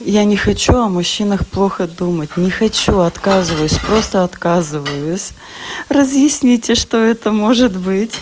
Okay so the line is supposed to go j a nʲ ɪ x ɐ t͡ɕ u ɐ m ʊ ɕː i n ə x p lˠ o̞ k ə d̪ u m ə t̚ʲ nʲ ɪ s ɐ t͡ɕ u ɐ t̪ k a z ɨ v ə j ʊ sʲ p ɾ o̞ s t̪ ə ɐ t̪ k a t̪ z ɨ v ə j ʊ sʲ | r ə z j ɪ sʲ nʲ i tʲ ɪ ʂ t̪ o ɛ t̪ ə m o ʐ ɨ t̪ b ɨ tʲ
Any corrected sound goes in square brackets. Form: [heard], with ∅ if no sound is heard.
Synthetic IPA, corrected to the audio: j a nʲ ɪ x ɐ t͡ɕ u ɐ m ʊ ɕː i n ə x p lˠ o̞ [x] ə d̪ u m ə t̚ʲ nʲ ɪ [x] ɐ t͡ɕ u ɐ t̪ k a z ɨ v ə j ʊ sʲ p ɾ o̞ s t̪ ə ɐ t̪ k a [∅] z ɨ v ə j ʊ sʲ | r ə z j ɪ sʲ nʲ i tʲ ɪ ʂ t̪ o ɛ t̪ ə m o ʐ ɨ t̪ b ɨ tʲ